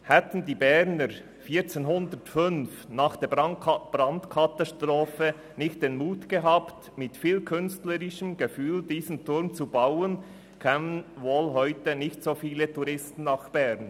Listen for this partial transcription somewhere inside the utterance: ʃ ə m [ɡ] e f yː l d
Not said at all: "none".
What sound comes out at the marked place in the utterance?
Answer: ɡ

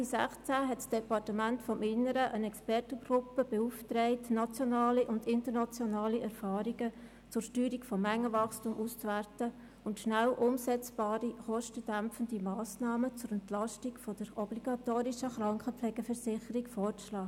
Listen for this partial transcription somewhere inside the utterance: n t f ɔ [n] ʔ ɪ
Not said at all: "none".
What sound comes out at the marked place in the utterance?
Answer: m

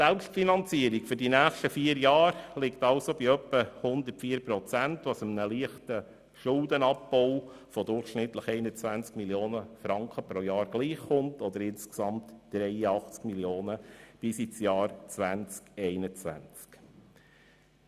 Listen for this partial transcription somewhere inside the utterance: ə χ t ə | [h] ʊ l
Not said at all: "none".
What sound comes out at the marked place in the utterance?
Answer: ʃ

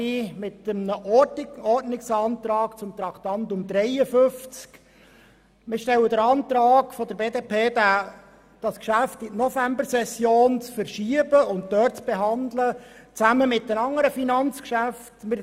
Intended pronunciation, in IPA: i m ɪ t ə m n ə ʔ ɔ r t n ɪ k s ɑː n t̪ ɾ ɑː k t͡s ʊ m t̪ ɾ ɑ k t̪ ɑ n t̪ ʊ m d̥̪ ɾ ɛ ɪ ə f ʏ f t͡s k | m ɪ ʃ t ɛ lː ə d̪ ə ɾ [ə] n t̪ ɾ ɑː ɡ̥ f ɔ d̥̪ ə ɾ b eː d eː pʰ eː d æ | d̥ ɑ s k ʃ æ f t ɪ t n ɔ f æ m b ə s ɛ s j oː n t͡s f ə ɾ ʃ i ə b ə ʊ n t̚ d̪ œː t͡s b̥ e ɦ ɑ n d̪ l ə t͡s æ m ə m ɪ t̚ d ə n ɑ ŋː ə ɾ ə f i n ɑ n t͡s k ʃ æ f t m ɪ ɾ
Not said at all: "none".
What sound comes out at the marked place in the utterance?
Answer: ɑ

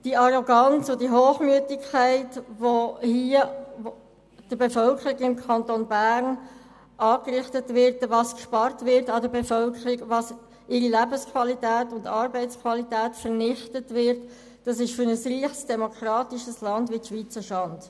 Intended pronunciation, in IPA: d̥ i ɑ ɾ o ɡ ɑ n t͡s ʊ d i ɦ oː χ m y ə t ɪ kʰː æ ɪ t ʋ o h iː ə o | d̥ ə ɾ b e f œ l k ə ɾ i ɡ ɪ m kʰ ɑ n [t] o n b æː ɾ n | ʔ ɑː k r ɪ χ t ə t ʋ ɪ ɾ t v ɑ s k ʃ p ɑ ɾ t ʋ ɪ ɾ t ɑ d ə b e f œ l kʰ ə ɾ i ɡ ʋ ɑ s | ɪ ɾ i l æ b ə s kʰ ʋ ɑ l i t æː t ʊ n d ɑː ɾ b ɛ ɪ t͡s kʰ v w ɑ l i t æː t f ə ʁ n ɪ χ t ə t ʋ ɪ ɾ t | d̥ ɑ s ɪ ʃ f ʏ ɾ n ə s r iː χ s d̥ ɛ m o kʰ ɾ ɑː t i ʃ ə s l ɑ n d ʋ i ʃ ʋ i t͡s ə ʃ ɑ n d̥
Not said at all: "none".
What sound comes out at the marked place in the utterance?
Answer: t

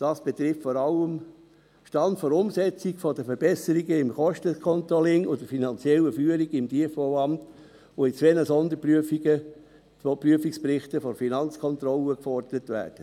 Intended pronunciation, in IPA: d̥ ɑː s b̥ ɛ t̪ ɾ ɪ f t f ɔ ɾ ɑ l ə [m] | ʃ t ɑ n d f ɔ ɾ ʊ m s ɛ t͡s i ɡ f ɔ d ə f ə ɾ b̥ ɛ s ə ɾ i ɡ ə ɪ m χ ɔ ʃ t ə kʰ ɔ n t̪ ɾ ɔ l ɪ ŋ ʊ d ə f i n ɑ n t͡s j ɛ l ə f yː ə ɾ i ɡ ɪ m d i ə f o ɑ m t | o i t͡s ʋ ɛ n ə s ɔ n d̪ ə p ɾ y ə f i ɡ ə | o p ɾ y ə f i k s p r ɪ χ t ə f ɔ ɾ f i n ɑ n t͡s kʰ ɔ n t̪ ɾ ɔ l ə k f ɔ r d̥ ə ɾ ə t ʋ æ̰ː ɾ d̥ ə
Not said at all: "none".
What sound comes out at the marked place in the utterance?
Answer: m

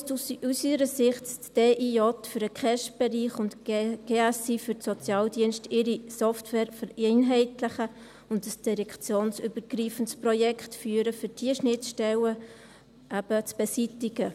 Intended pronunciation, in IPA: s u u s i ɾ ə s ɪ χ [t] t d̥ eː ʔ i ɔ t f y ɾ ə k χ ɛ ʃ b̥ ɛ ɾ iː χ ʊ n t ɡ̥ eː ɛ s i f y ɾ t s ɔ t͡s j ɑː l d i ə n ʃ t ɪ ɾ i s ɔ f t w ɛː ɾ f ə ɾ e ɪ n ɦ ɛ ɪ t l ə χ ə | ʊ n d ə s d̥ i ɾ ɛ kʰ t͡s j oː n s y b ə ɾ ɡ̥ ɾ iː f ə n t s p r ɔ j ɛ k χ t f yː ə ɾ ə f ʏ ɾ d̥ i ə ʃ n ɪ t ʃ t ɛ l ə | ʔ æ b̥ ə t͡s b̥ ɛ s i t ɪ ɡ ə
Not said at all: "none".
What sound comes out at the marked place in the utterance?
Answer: t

